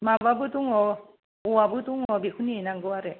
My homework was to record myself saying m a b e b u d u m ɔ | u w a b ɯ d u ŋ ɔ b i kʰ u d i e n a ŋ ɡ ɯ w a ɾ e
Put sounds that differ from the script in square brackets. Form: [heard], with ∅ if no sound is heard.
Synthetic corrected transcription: m a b [a] b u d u [ŋ] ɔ | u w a b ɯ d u ŋ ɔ b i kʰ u [n] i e n a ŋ ɡ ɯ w a ɾ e